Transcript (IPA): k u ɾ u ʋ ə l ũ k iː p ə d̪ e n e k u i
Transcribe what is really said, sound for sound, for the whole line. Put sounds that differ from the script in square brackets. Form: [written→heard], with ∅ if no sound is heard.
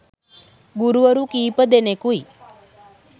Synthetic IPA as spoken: [k→ɡ] u ɾ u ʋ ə [l→ɾ] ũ k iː p ə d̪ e n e k u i